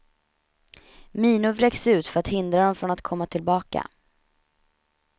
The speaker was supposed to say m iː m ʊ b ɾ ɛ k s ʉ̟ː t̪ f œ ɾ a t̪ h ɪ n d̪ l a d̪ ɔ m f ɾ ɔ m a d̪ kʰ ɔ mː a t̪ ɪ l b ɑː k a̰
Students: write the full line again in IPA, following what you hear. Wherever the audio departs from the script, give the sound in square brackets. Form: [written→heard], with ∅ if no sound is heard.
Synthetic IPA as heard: m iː [m→n] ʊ [b→v] ɾ ɛ k s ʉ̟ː t̪ f œ ɾ a t̪ h ɪ n d̪ [l→ɾ] a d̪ ɔ m f ɾ ɔ [m→n] a [d̪→t̪] kʰ ɔ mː a [t̪→t̪ʰ] ɪ l b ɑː k a̰